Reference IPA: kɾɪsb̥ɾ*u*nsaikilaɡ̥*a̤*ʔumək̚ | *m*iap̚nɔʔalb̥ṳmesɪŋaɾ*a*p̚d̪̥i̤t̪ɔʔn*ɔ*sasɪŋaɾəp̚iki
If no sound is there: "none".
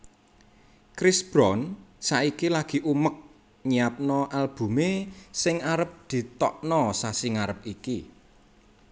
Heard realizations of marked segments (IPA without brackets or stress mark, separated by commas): ɔ, i̤, ɲ, ə, ɔ